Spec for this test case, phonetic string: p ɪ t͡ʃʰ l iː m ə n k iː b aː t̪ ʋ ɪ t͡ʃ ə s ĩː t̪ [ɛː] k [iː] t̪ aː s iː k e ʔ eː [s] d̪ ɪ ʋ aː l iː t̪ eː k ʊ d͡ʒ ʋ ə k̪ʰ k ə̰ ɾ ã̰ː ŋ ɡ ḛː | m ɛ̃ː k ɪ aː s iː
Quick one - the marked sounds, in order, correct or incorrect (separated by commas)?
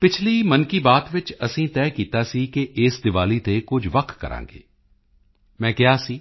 correct, correct, correct